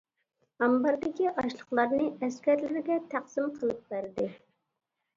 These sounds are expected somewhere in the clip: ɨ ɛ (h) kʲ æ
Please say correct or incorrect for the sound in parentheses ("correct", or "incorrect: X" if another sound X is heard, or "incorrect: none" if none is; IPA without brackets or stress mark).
incorrect: s